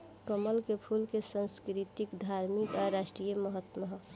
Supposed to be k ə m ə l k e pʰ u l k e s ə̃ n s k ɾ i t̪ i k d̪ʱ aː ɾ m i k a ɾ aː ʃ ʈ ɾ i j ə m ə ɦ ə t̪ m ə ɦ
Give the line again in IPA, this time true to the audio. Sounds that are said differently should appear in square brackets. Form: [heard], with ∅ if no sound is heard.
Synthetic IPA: k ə m ə l k e pʰ u l k e s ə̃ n s k ɾ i t̪ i k d̪ʱ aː ɾ m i k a ɾ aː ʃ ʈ ɾ i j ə m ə ɦ ə t̪ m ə ɦ